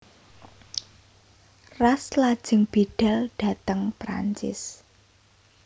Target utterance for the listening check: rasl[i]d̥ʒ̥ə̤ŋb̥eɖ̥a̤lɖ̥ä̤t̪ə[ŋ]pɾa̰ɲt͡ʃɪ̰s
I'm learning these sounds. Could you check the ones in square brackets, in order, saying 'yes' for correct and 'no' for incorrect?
no, yes

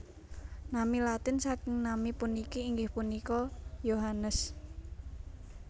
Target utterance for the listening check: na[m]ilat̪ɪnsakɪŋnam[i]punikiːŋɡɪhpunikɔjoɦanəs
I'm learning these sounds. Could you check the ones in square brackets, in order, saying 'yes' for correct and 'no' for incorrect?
yes, yes

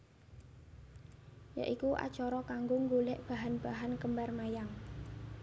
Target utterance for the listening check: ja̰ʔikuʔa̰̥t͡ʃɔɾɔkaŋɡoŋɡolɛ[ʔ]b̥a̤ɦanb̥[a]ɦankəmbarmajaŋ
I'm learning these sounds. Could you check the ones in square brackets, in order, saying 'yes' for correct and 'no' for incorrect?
yes, yes

